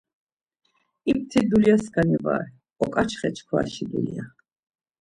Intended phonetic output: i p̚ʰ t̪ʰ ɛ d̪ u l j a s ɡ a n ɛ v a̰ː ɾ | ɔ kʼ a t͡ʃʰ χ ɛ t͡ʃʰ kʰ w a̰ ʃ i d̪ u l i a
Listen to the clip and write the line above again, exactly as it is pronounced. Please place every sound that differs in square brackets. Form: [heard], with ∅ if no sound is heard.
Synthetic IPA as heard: i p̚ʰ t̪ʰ [i] d̪ u l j a s ɡ a n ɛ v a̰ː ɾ | ɔ kʼ a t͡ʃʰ χ ɛ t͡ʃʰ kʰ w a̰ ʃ i d̪ u l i a